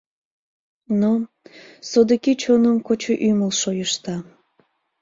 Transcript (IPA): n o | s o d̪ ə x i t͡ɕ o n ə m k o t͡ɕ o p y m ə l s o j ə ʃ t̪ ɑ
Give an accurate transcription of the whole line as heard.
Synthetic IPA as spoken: n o | s o d̪ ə k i t͡ɕ o n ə m k o t͡ɕ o ʔ y m ə l ʃ o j ə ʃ t̪ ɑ